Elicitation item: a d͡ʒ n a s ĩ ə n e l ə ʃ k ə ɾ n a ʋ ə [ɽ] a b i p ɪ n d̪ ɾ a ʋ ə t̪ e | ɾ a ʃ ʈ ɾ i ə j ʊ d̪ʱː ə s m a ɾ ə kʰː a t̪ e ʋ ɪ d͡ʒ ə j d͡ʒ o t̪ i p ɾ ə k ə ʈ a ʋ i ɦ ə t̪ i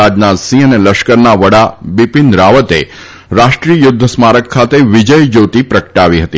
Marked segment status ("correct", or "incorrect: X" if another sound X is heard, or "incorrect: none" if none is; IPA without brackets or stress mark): correct